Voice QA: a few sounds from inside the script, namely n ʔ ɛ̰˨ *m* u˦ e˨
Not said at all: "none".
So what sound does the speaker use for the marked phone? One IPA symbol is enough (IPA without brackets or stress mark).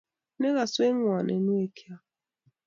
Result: n